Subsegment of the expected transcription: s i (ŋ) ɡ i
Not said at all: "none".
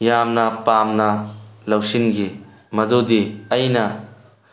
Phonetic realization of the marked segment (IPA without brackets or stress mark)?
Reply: n